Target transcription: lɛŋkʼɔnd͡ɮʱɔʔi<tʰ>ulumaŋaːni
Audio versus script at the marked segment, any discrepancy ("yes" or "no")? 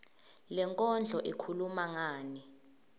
yes